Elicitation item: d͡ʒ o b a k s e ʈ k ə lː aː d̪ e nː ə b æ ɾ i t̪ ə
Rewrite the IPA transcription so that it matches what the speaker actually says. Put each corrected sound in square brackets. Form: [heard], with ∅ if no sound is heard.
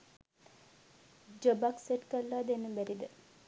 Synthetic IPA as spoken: d͡ʒ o b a k s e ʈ k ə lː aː d̪ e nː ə b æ ɾ i [d̪] ə